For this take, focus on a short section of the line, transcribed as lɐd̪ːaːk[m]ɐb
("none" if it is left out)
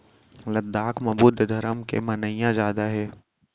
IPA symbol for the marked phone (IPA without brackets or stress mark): m